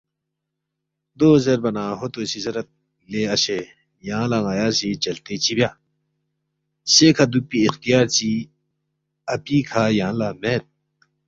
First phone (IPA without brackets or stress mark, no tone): d̪